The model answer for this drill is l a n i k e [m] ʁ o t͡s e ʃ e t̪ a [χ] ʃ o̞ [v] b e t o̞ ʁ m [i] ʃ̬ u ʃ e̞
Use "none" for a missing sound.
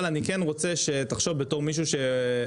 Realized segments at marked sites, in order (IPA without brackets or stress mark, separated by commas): n, χ, v, i